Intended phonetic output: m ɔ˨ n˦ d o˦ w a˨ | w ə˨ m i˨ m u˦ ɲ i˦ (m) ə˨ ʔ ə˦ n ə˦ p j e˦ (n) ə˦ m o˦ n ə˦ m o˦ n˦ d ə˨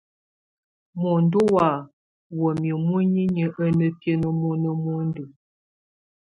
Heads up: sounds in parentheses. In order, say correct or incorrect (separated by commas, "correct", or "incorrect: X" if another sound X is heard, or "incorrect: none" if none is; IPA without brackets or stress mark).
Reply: incorrect: ɲ, correct